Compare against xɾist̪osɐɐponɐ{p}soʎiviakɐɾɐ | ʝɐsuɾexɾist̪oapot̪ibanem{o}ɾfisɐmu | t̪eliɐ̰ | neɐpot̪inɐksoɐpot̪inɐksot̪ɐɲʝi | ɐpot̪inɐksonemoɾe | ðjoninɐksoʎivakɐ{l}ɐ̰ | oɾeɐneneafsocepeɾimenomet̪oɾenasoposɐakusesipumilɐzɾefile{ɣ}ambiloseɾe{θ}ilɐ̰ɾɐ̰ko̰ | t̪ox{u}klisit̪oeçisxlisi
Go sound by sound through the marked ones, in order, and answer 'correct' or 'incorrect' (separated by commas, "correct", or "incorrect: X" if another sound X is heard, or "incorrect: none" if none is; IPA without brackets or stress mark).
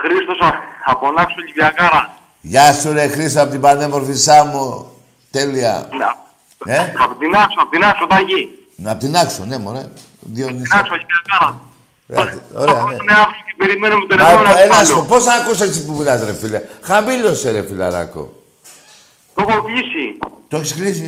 incorrect: k, correct, incorrect: ɾ, incorrect: x, incorrect: f, incorrect: o